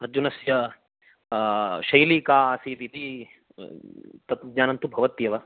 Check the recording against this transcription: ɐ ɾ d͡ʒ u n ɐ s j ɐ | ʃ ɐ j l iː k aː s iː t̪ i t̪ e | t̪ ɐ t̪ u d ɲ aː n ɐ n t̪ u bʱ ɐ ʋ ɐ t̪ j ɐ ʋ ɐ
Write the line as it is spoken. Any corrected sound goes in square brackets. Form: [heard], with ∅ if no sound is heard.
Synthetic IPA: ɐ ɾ d͡ʒ u n ɐ s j ɐ | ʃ ɐ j l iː k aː s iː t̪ i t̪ [i] | t̪ ɐ t̪ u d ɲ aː n ɐ n t̪ u bʱ ɐ ʋ ɐ t̪ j ɐ ʋ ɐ